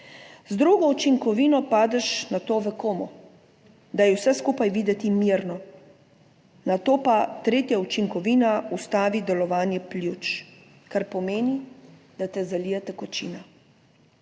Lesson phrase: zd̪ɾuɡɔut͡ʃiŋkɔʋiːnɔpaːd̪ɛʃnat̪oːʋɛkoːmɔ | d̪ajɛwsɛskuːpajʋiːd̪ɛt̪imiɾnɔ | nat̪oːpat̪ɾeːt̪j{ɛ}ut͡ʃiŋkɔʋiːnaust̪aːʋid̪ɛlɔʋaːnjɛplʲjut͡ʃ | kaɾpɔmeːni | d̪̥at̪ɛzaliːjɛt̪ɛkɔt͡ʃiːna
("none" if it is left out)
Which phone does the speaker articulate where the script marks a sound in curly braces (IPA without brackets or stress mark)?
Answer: a